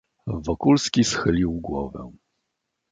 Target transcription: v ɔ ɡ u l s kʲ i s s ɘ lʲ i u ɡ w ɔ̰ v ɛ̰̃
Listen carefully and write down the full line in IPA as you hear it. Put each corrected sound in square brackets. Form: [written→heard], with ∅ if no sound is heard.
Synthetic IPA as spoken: v ɔ [ɡ→k] u l s kʲ i s [s→x] ɘ lʲ i [u→w] ɡ w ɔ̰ v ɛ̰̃